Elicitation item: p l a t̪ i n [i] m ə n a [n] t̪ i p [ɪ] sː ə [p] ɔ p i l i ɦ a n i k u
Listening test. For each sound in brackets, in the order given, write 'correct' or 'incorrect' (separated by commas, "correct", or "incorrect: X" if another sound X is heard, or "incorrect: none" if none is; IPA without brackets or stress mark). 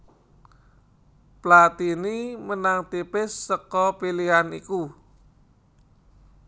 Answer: correct, incorrect: ŋ, correct, incorrect: k